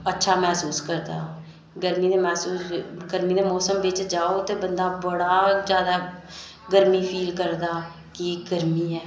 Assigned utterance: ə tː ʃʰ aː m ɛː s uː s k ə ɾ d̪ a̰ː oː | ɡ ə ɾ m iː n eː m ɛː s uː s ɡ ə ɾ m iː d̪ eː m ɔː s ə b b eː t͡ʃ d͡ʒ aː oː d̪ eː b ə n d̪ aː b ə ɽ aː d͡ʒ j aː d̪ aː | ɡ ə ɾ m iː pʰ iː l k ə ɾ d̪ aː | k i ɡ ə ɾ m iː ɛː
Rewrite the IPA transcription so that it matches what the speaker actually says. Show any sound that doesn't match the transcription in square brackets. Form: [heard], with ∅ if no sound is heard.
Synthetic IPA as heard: ə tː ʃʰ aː m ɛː s uː s k ə ɾ d̪ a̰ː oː | ɡ ə ɾ m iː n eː m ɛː s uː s ɡ ə ɾ m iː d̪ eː m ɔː s ə [m] b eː t͡ʃ d͡ʒ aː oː [t̪] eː b ə n d̪ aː b ə ɽ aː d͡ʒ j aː d̪ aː | ɡ ə ɾ m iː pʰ iː l k ə ɾ d̪ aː | k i ɡ ə ɾ m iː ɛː